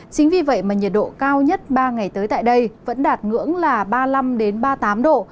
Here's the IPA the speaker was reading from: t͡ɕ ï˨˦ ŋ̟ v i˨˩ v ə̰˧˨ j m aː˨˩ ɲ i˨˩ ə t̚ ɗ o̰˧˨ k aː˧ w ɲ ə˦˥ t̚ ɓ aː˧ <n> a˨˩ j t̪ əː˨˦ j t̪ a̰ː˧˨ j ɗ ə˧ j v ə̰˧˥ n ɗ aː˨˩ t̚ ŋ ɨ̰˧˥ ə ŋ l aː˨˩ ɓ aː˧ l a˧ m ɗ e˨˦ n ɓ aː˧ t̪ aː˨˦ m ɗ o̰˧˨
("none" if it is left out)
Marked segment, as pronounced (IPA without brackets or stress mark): ŋ